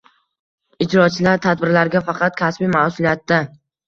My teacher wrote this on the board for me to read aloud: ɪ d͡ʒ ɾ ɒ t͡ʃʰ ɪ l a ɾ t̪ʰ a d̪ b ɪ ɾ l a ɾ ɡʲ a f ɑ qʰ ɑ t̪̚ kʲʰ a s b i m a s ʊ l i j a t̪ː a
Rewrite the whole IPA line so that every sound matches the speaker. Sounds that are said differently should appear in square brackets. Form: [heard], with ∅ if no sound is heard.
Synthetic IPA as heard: ɪ d͡ʒ ɾ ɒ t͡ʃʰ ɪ l a ɾ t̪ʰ a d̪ b ɪ ɾ l a ɾ ɡʲ a f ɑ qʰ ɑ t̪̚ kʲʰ a s b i m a s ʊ l i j a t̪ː a

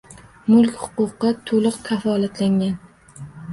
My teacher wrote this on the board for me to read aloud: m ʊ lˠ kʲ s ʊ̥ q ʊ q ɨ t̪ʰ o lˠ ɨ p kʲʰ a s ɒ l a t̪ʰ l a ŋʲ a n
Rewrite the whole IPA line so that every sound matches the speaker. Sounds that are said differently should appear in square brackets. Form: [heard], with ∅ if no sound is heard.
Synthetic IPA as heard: m ʊ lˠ kʲ [h] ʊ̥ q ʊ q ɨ t̪ʰ o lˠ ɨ [q] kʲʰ a [f] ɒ l a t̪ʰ l a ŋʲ a n

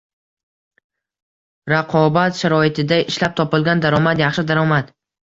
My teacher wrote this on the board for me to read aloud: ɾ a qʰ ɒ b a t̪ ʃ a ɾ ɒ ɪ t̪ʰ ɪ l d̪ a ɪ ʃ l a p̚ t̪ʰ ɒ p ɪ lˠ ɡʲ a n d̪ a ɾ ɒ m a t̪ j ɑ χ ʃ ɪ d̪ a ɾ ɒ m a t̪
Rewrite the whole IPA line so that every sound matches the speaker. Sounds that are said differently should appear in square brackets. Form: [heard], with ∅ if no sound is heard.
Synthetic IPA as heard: ɾ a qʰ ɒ b a t̪ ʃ a ɾ ɒ ɪ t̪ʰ ɪ [∅] d̪ a ɪ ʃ l a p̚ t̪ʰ ɒ p ɪ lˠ ɡʲ a n d̪ a ɾ ɒ m a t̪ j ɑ χ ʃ ɪ d̪ a ɾ ɒ m a t̪

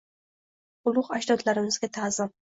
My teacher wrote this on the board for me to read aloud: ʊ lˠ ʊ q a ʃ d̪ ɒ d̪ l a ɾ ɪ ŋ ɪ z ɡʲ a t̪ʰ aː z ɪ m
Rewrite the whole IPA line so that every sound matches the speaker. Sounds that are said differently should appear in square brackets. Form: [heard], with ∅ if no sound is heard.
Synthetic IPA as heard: ʊ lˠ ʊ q a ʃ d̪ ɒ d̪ l a ɾ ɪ [m] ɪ z ɡʲ a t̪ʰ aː z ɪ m

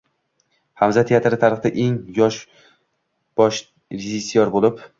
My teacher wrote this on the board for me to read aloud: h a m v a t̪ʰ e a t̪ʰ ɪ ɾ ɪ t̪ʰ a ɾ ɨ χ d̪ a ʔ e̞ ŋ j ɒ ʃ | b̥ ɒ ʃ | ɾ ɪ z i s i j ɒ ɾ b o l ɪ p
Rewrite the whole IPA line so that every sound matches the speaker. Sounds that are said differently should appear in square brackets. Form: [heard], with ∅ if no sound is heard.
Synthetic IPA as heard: h a m [z] a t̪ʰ e a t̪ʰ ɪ ɾ ɪ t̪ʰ a ɾ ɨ χ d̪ a ʔ e̞ ŋ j ɒ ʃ | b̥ ɒ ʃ | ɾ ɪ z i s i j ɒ ɾ b o l ɪ p

